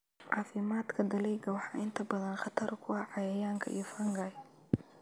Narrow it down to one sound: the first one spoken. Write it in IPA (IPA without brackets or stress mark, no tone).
ʕ